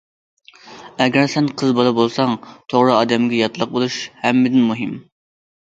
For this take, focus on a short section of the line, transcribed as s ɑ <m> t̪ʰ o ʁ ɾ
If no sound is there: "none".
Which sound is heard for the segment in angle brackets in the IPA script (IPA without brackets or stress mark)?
ŋ